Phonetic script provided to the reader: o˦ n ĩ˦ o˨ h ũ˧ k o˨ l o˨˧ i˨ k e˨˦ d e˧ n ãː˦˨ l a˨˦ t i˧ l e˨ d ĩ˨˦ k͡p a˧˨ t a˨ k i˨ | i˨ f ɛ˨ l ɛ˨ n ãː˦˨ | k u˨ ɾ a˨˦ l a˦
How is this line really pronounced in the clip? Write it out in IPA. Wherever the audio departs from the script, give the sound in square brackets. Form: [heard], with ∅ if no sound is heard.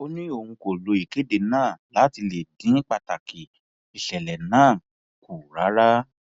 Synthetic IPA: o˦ n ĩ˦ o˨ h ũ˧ k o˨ l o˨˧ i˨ k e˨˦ d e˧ n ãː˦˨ l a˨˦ t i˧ l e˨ d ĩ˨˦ k͡p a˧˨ t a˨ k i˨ | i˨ [ʃ] ɛ˨ l ɛ˨ n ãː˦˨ | k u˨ ɾ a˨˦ [ɾ] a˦